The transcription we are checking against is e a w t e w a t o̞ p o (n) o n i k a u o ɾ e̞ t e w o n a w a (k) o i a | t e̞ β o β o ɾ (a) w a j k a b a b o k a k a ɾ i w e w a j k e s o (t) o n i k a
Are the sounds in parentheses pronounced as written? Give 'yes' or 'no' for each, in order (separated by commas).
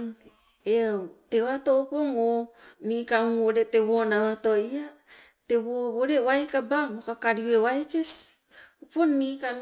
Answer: no, no, no, no